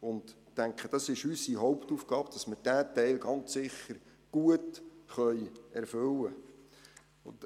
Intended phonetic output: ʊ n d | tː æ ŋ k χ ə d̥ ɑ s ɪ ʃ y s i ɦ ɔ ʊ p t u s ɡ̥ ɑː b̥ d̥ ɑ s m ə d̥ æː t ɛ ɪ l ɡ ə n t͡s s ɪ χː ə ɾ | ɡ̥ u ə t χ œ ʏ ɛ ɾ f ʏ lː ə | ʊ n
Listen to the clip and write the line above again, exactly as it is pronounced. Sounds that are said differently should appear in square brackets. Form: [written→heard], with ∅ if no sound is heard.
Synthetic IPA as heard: ʊ n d | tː æ ŋ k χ ə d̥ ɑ s ɪ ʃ y s i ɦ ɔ ʊ p t u [s→f] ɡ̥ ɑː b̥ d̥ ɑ s m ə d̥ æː t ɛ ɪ l ɡ [ə→ɑ] n t͡s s ɪ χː ə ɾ | ɡ̥ u ə t χ œ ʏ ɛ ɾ f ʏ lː ə | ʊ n

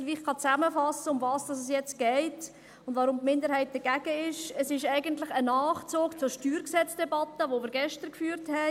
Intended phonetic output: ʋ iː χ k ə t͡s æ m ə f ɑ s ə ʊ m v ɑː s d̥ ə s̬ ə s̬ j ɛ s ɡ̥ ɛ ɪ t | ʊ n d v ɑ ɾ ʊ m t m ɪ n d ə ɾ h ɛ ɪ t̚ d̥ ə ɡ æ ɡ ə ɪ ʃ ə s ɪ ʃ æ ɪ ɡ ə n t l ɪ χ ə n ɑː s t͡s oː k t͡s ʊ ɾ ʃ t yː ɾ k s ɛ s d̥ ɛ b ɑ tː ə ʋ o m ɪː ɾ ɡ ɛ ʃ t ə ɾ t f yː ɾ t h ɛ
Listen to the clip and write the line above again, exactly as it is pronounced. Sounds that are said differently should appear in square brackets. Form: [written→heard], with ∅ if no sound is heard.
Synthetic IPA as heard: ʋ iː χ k [ə→ɑ] t͡s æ m ə f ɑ s ə ʊ m v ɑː s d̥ [ə→ɑ] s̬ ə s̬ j ɛ [s→t͡s] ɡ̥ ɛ ɪ t | ʊ n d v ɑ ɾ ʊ m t m ɪ n d ə ɾ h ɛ ɪ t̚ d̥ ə ɡ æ ɡ ə ɪ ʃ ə s ɪ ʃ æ ɪ ɡ ə n t l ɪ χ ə n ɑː [s→χ] t͡s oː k t͡s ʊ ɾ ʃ t yː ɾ k s ɛ [s→t͡s] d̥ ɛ b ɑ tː ə ʋ o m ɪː ɾ ɡ ɛ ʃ t ə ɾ [t→k] f yː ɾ t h ɛ

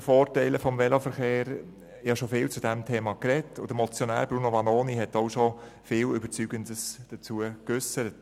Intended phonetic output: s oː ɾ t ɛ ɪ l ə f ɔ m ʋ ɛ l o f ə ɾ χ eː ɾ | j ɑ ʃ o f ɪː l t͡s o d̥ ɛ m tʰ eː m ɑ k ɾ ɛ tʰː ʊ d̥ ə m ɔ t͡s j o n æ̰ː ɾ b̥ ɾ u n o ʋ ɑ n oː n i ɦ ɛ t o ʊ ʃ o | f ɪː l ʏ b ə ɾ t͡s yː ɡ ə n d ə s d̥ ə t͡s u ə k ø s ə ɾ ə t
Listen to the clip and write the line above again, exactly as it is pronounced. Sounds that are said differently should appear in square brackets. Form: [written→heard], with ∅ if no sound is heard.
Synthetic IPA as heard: [s→f] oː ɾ t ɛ ɪ l ə f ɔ m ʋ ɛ l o f ə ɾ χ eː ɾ | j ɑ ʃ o f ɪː l t͡s [o→u] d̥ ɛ m tʰ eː m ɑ k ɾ ɛ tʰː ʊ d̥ ə m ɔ t͡s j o n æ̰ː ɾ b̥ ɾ u n o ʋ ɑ n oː n i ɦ ɛ t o ʊ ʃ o | f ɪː l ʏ b ə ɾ t͡s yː ɡ ə n d ə s d̥ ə t͡s u ə k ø s ə ɾ ə t

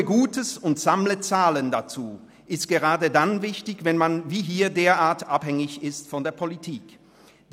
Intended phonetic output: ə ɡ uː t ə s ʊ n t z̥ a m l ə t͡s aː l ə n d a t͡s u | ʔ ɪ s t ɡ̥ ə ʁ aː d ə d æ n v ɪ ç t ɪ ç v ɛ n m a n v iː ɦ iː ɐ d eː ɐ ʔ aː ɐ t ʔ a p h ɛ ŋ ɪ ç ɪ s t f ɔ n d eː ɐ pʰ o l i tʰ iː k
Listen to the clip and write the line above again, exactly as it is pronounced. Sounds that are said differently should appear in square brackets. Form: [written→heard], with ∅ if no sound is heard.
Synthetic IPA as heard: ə ɡ uː t ə s ʊ n t z̥ a m l ə t͡s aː l ə n d a t͡s [u→uː] | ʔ ɪ s t ɡ̥ ə ʁ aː d ə d [æ→a] n v ɪ ç t ɪ ç v ɛ n m a n v iː ɦ iː ɐ d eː ɐ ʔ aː ɐ t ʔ a p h ɛ ŋ ɪ ç ɪ s t f ɔ n d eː ɐ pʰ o l i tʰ iː k

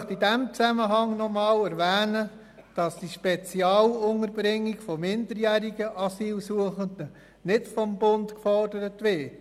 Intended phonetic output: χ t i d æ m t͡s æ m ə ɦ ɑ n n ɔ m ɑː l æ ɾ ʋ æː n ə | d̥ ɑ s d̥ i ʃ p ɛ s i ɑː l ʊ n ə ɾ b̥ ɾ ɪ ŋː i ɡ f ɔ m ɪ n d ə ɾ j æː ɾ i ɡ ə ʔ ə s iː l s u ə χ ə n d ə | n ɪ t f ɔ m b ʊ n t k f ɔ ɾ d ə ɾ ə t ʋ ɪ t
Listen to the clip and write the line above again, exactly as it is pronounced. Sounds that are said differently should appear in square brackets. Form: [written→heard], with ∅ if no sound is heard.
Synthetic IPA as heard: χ t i d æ m t͡s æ m ə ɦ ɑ [n→ŋ] n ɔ m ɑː l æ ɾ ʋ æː n ə | d̥ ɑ s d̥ i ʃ p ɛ [s→t͡s] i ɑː l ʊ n ə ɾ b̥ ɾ ɪ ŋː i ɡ f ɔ m ɪ n d ə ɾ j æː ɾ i ɡ ə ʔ [ə→ɑ] s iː l s u ə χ ə n d ə | n ɪ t f ɔ m b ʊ n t k f ɔ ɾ d ə ɾ ə t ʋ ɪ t

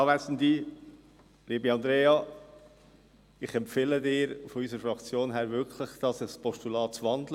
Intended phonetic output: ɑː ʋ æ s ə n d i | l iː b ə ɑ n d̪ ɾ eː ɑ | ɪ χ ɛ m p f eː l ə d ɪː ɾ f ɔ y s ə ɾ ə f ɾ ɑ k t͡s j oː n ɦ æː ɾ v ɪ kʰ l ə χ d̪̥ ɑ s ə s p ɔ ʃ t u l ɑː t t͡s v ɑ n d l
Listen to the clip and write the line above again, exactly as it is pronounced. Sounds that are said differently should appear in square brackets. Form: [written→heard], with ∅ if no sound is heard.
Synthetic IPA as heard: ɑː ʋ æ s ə n d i | l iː b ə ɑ n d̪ ɾ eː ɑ | ɪ χ ɛ m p f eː l ə d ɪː ɾ f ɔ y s ə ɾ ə f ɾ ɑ k t͡s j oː n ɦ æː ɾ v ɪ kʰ l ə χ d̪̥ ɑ s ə s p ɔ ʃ t u l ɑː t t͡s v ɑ n d l

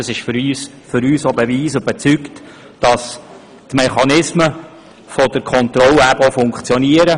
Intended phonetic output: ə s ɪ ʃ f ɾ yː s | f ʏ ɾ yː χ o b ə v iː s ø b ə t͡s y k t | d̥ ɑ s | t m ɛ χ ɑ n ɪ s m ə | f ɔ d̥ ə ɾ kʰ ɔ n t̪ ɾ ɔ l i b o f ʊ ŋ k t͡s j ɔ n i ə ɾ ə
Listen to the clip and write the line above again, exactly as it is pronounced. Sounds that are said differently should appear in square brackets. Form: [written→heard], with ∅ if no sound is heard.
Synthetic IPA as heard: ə s ɪ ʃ f ɾ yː s | f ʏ ɾ yː [χ→s] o b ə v iː s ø b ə t͡s y k t | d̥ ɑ s | t m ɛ χ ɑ n ɪ s m ə | f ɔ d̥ ə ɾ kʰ ɔ n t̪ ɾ ɔ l [i→æ] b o f ʊ ŋ k t͡s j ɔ n i ə ɾ ə

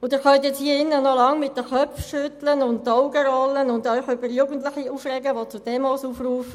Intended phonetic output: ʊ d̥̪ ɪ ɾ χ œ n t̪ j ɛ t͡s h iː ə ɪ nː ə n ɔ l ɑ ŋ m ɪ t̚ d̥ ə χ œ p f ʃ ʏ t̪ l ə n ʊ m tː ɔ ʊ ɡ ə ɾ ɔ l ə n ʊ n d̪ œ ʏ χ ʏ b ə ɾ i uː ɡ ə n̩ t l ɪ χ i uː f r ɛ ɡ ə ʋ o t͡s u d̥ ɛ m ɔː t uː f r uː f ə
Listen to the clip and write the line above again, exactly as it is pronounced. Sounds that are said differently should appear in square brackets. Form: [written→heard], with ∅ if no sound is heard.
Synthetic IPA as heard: ʊ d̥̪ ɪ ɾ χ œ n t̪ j ɛ t͡s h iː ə ɪ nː ə n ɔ l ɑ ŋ m ɪ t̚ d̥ ə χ œ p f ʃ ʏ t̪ l ə n ʊ [m→n] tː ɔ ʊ ɡ ə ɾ ɔ l ə n ʊ n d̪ œ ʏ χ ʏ b ə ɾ [i→j] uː ɡ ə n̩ t l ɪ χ i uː f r ɛ ɡ ə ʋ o t͡s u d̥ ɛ m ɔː [t→s] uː f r uː f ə

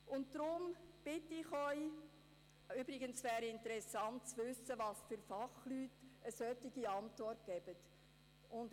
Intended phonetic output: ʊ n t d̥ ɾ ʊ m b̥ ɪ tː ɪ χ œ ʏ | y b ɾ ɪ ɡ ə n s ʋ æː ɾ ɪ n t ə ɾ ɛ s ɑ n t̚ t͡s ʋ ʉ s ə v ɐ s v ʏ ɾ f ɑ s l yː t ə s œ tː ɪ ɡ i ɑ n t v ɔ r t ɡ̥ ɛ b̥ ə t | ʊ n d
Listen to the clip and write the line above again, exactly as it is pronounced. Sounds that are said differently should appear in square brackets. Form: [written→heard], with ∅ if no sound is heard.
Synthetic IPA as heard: ʊ n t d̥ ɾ ʊ m b̥ ɪ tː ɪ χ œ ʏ | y b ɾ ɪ ɡ ə n s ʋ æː ɾ ɪ n t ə ɾ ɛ s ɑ n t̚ t͡s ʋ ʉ s ə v [ɐ→ɑ] s [v→f] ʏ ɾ f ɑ [s→χ] l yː t ə s œ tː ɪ ɡ i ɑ n t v ɔ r t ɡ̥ ɛ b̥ ə t | ʊ n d

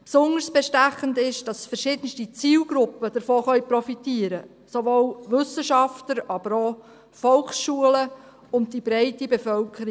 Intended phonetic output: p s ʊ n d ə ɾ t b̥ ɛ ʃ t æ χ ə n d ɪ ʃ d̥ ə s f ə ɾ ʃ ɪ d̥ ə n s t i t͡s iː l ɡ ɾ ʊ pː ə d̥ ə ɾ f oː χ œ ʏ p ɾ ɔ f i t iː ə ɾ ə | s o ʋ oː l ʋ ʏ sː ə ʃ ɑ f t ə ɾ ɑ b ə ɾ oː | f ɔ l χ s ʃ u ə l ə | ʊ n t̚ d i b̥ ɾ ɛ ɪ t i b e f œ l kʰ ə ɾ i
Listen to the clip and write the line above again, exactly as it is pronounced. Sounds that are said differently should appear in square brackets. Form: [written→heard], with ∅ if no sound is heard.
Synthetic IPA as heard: p s ʊ n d ə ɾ [t→s] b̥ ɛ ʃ t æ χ ə n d ɪ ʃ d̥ [ə→ɑ] s f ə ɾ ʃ ɪ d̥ ə n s t i t͡s iː l ɡ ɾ ʊ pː ə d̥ ə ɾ f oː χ œ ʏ p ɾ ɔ f i t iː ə ɾ ə | s o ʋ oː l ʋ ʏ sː ə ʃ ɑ f t ə ɾ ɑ b ə ɾ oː | f ɔ l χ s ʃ u ə l ə | ʊ n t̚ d i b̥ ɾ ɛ ɪ t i b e f œ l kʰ ə ɾ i

